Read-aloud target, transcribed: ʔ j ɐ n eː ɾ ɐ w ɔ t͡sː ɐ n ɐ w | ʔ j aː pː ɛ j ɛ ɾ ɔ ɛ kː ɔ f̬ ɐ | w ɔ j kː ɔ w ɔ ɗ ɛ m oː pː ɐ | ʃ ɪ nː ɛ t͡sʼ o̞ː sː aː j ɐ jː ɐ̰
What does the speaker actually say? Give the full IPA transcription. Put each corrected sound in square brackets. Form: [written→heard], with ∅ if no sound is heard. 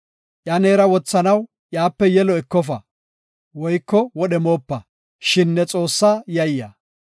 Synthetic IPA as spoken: ʔ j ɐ n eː ɾ ɐ w ɔ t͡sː ɐ n ɐ w | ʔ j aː pː ɛ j ɛ [ɾ→l] ɔ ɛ kː ɔ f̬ ɐ | w ɔ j kː ɔ w ɔ ɗ ɛ m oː pː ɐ | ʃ ɪ nː ɛ t͡sʼ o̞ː sː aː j ɐ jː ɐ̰

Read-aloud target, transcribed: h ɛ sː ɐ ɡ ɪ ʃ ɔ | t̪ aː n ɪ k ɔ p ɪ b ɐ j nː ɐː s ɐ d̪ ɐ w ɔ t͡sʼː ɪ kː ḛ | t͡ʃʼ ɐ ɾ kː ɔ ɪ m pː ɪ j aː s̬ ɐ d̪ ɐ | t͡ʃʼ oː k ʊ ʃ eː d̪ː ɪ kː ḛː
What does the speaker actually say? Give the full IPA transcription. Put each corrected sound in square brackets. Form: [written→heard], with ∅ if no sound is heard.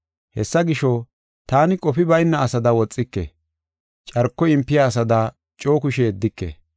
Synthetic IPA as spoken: h ɛ sː ɐ ɡ ɪ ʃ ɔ | t̪ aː n ɪ [k→kʼ] ɔ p ɪ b ɐ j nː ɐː s ɐ d̪ ɐ w ɔ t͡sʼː ɪ kː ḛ | t͡ʃʼ ɐ ɾ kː ɔ ɪ m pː ɪ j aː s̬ ɐ d̪ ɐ | t͡ʃʼ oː k ʊ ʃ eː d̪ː ɪ kː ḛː

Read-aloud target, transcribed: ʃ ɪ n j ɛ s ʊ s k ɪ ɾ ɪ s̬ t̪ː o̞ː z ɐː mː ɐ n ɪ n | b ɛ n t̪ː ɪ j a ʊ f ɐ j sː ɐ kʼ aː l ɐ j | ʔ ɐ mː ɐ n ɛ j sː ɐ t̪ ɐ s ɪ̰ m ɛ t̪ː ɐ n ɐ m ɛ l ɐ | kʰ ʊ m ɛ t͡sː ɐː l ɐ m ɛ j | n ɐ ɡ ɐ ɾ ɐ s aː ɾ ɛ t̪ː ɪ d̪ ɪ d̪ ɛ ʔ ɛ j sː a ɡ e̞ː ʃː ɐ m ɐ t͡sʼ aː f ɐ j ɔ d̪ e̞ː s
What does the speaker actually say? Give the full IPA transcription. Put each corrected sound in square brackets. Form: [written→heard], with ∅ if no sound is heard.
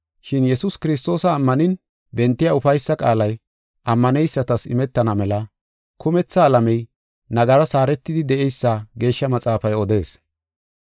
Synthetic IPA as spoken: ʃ ɪ n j ɛ s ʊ s k ɪ ɾ ɪ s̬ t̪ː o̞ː [z→s] ɐː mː ɐ n ɪ n | b ɛ n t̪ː ɪ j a ʊ f ɐ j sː ɐ kʼ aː l ɐ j | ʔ ɐ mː ɐ n ɛ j sː ɐ t̪ ɐ s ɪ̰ m ɛ t̪ː ɐ n ɐ m ɛ l ɐ | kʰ ʊ m ɛ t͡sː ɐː l ɐ m ɛ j | n ɐ ɡ ɐ ɾ ɐ s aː ɾ ɛ t̪ː ɪ d̪ ɪ d̪ ɛ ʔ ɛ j sː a ɡ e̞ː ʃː ɐ m ɐ t͡sʼ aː f ɐ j ɔ d̪ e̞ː s

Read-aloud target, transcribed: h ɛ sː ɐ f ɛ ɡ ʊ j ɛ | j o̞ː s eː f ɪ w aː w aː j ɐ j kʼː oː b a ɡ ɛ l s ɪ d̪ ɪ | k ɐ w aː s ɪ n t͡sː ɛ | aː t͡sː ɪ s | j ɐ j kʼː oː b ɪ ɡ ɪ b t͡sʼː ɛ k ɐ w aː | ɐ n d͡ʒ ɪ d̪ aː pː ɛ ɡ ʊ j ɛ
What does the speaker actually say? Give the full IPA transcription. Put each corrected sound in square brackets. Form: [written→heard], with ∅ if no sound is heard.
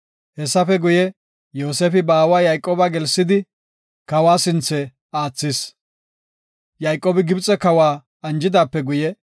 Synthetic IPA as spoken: h ɛ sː ɐ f ɛ ɡ ʊ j ɛ | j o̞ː s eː f ɪ [w→b] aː w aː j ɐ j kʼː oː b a ɡ ɛ l s ɪ d̪ ɪ | k ɐ w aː s ɪ n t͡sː ɛ | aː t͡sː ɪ s | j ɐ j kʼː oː b ɪ ɡ ɪ b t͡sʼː ɛ k ɐ w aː | ɐ n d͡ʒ ɪ d̪ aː pː ɛ ɡ ʊ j ɛ

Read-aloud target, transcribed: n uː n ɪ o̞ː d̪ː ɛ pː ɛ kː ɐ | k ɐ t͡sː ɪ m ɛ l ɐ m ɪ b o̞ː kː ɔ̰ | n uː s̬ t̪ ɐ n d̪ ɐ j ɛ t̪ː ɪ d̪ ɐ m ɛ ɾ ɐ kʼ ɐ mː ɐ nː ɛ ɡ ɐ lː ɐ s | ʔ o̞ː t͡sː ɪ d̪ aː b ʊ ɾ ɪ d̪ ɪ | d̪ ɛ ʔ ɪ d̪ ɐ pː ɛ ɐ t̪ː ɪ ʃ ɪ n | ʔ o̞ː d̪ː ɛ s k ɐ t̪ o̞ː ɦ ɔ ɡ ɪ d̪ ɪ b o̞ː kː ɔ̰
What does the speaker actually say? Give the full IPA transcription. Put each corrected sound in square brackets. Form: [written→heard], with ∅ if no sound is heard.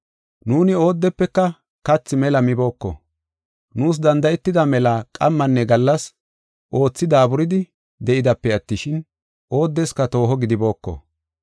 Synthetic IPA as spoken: n uː n ɪ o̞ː d̪ː ɛ pː ɛ kː ɐ | k ɐ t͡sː ɪ m ɛ l ɐ m ɪ b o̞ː kː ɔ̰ | n uː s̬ [t̪→d̪] ɐ n d̪ ɐ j ɛ t̪ː ɪ d̪ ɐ m ɛ [ɾ→l] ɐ kʼ ɐ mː ɐ nː ɛ ɡ ɐ lː ɐ s | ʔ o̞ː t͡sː ɪ d̪ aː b ʊ ɾ ɪ d̪ ɪ | d̪ ɛ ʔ ɪ d̪ ɐ pː ɛ ɐ t̪ː ɪ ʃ ɪ n | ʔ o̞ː d̪ː ɛ s k ɐ t̪ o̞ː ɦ ɔ ɡ ɪ d̪ ɪ b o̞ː kː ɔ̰

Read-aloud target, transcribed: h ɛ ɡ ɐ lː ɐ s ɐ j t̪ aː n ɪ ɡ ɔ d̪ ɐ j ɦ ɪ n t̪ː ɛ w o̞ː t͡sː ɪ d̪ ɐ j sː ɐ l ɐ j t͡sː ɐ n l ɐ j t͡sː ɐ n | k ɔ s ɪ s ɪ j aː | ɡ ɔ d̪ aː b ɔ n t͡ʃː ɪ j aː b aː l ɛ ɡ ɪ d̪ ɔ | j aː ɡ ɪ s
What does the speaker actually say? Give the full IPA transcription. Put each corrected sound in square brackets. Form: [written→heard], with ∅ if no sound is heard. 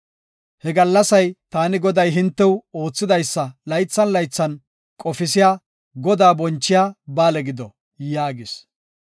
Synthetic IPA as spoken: h ɛ ɡ ɐ lː ɐ s ɐ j t̪ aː n ɪ ɡ ɔ d̪ ɐ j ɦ ɪ n t̪ː ɛ w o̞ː t͡sː ɪ d̪ ɐ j sː ɐ l ɐ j t͡sː ɐ n l ɐ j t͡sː ɐ n | [k→kʼ] ɔ [s→f] ɪ s ɪ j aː | ɡ ɔ d̪ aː b ɔ n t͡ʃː ɪ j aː b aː l ɛ ɡ ɪ d̪ ɔ | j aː ɡ ɪ s

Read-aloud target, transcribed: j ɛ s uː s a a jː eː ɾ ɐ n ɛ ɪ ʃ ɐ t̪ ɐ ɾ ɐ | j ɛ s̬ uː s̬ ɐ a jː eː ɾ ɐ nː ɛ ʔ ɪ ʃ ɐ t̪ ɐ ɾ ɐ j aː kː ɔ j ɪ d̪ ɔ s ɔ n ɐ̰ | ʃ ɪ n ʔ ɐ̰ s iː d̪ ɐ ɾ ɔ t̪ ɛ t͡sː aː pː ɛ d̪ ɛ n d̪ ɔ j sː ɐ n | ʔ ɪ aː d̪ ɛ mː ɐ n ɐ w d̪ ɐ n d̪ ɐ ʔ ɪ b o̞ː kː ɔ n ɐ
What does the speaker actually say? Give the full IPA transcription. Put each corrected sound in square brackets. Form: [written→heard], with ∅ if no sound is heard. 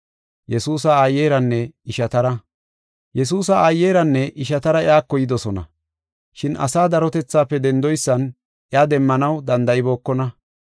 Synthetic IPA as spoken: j ɛ s uː s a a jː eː ɾ ɐ [n→nː] ɛ ɪ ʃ ɐ t̪ ɐ ɾ ɐ | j ɛ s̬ uː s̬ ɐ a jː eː ɾ ɐ nː ɛ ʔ ɪ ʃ ɐ t̪ ɐ ɾ ɐ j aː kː ɔ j ɪ d̪ ɔ s ɔ n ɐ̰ | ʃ ɪ n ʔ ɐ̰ s [iː→aː] d̪ ɐ ɾ ɔ t̪ ɛ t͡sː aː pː ɛ d̪ ɛ n d̪ ɔ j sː ɐ n | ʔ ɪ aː d̪ ɛ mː ɐ n ɐ w d̪ ɐ n d̪ ɐ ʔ ɪ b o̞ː kː ɔ n ɐ

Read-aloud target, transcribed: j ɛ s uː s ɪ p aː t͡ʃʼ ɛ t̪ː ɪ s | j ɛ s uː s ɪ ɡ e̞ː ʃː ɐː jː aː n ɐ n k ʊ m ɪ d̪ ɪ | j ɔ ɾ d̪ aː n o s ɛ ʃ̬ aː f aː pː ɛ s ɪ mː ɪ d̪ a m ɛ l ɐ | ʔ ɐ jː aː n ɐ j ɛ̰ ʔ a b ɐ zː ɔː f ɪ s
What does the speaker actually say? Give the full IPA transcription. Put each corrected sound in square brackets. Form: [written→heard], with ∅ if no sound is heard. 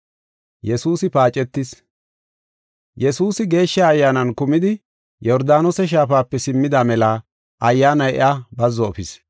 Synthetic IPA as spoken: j ɛ s uː s ɪ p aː t͡ʃʼ ɛ t̪ː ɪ s | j ɛ s uː s ɪ ɡ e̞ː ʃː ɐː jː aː n ɐ n k ʊ m ɪ d̪ ɪ | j ɔ ɾ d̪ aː n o s ɛ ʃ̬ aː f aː pː ɛ s ɪ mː ɪ d̪ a m ɛ l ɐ | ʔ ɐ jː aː n ɐ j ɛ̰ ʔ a b ɐ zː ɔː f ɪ s

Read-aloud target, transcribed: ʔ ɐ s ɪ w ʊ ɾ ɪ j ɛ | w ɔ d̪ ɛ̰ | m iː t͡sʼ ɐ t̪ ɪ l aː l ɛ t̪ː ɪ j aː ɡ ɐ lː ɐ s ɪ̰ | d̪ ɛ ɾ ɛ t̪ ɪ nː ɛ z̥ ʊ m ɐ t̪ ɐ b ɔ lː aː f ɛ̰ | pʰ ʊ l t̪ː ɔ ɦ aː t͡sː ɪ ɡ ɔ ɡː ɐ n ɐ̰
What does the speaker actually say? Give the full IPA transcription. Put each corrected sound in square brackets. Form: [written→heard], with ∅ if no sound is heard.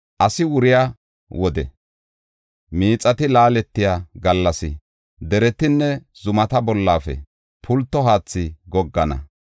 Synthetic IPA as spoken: ʔ ɐ s ɪ w ʊ ɾ ɪ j [ɛ→a] | w ɔ d̪ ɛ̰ | m iː t͡sʼ ɐ t̪ ɪ l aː l ɛ t̪ː ɪ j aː ɡ ɐ lː ɐ s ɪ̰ | d̪ ɛ ɾ ɛ t̪ ɪ nː ɛ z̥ ʊ m ɐ t̪ ɐ b ɔ lː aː f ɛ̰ | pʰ ʊ l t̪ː ɔ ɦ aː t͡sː ɪ ɡ ɔ ɡː ɐ n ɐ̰

